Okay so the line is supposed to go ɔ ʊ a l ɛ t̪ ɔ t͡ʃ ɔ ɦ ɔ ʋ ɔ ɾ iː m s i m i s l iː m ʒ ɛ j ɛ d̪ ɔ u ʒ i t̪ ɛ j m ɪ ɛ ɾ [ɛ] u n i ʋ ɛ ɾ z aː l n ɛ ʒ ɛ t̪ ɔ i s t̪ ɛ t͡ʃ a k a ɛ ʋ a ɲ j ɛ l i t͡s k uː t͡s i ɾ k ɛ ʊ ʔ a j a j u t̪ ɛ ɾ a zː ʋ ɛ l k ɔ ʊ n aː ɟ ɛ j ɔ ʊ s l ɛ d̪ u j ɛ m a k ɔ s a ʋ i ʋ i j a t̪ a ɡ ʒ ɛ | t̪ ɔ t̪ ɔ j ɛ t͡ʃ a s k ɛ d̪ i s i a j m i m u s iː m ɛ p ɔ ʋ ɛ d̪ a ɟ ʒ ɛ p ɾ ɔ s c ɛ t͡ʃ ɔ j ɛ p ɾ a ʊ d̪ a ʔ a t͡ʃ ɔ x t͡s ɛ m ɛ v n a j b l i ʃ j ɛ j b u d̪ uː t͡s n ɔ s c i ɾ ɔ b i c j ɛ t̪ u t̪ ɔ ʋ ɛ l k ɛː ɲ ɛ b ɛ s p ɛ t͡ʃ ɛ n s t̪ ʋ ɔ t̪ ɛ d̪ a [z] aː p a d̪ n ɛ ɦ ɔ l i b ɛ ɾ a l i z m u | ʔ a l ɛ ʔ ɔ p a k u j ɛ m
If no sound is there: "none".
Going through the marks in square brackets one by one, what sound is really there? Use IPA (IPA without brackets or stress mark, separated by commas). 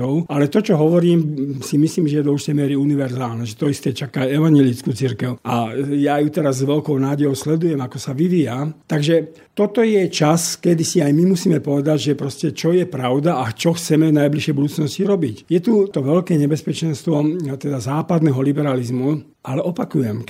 i, z